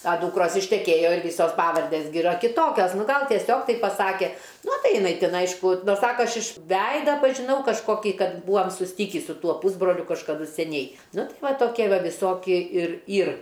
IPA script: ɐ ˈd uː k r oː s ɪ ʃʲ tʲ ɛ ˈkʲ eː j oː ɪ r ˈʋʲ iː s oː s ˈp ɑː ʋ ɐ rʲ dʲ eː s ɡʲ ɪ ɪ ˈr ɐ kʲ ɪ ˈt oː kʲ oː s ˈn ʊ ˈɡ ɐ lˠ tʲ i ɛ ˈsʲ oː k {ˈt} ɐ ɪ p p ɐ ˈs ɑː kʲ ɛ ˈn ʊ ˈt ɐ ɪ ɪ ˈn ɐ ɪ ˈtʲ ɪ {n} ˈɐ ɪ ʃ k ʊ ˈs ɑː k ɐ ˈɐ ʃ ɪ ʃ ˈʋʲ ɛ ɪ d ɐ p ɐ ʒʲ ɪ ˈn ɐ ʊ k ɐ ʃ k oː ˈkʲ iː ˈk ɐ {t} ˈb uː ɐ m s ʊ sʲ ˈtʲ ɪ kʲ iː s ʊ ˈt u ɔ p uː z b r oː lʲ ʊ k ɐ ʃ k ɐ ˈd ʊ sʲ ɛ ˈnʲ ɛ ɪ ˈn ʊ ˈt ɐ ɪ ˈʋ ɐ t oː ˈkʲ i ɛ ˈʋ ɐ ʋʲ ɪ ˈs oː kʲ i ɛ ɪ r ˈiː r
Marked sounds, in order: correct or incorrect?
correct, correct, correct

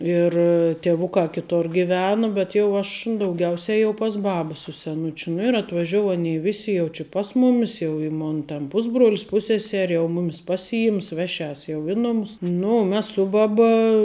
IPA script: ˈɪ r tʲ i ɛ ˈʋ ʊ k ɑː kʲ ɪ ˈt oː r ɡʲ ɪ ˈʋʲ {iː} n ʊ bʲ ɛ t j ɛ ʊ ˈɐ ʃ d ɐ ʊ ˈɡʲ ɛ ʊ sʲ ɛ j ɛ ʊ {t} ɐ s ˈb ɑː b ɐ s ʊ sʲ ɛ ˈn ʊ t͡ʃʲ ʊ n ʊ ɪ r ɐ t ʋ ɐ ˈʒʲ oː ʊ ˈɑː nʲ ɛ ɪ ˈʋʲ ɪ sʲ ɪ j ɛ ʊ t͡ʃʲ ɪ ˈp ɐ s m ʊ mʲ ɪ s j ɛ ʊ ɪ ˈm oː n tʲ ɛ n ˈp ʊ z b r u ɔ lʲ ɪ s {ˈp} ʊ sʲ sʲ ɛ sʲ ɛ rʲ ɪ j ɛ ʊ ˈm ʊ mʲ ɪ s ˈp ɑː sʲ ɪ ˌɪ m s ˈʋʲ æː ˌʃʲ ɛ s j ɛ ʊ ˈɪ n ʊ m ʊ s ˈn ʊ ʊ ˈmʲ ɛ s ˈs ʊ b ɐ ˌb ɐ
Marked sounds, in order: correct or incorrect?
incorrect, incorrect, correct

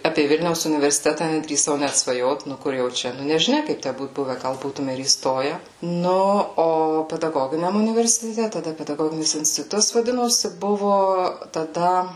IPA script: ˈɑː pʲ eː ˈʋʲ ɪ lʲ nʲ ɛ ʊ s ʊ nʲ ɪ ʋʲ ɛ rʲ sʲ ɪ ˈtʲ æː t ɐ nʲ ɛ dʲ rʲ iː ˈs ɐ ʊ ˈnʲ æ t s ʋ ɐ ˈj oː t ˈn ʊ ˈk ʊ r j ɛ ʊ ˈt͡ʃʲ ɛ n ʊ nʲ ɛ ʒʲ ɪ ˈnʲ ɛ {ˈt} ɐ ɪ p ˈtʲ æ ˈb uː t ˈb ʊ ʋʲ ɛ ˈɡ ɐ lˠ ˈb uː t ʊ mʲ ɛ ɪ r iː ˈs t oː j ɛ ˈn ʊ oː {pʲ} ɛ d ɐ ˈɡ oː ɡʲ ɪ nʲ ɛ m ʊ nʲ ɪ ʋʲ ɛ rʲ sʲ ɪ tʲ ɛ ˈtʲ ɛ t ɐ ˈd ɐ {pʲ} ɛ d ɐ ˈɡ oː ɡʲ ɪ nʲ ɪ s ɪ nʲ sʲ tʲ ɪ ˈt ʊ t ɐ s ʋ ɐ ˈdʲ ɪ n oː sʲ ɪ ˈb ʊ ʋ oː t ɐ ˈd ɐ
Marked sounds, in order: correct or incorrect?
incorrect, correct, correct

